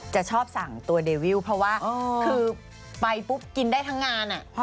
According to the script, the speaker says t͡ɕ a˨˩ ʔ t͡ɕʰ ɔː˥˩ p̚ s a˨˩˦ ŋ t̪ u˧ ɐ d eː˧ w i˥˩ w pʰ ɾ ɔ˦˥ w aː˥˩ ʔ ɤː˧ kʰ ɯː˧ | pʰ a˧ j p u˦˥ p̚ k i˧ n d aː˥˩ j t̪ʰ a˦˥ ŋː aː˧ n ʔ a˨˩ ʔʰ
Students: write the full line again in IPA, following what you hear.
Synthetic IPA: t͡ɕ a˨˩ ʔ t͡ɕʰ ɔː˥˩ p̚ s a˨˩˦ ŋ t̪ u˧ ɐ d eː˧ w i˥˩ w pʰ ɾ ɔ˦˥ w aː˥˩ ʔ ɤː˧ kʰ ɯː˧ | p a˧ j p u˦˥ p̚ k i˧ n d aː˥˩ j t̪ʰ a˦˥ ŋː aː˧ n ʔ a˨˩ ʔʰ